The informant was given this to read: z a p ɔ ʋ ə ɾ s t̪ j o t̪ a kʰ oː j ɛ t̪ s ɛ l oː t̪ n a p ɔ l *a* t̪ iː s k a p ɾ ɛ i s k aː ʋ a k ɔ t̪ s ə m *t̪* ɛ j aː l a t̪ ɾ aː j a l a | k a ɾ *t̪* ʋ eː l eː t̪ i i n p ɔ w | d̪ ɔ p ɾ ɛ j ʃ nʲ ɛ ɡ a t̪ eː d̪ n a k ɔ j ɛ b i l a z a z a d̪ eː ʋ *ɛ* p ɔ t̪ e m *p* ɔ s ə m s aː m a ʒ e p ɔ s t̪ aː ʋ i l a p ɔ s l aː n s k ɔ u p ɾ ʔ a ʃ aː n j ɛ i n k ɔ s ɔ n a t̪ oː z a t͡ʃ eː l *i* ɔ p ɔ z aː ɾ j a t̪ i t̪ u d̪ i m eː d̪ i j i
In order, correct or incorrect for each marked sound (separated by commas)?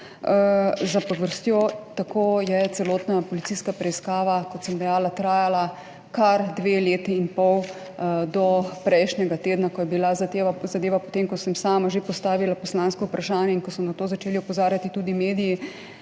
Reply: incorrect, incorrect, incorrect, incorrect, incorrect, correct